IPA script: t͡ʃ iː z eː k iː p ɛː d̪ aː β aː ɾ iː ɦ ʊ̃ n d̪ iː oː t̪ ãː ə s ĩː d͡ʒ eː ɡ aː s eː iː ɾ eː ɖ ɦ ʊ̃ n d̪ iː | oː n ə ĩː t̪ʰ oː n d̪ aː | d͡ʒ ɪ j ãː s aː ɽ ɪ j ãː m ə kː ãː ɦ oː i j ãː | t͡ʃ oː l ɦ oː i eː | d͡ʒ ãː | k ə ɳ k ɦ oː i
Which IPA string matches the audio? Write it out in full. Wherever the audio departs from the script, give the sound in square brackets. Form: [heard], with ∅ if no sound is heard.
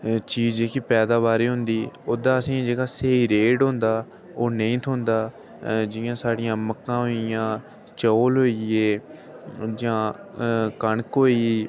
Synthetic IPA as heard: t͡ʃ iː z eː k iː p ɛː d̪ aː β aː ɾ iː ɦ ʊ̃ n d̪ iː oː [d̪] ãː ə s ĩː d͡ʒ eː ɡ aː s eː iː ɾ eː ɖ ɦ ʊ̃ n d̪ [aː] | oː n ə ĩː t̪ʰ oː n d̪ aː | d͡ʒ ɪ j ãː s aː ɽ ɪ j ãː m ə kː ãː ɦ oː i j ãː | t͡ʃ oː l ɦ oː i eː | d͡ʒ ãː | k ə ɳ k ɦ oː i